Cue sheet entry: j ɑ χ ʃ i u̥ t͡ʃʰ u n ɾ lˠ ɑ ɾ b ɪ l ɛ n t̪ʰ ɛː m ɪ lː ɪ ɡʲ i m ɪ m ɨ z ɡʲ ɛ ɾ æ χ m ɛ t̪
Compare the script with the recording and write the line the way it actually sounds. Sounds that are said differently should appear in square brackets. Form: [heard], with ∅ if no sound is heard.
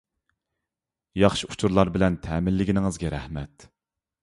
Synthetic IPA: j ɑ χ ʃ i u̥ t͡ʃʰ u [∅] ɾ lˠ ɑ ɾ b ɪ l ɛ n t̪ʰ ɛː m ɪ lː ɪ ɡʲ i [n] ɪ [ŋ] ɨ z ɡʲ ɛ ɾ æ [h] m ɛ t̪